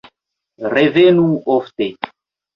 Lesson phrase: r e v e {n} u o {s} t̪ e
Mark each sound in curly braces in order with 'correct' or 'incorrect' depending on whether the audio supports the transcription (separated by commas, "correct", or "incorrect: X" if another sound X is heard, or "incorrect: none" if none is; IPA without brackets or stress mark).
correct, incorrect: f